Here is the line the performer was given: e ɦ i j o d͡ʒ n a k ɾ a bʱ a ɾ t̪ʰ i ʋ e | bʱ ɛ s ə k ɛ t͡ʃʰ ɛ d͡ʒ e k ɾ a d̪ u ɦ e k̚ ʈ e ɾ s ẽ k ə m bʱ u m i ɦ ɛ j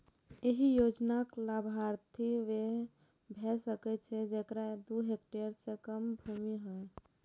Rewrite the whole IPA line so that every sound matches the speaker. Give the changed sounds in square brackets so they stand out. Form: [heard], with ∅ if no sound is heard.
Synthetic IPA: e ɦ i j o d͡ʒ n a k [l] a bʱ a ɾ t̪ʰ i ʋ e | bʱ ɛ s ə k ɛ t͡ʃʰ ɛ d͡ʒ e k ɾ a d̪ u ɦ e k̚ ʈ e ɾ s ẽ k ə m bʱ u m i ɦ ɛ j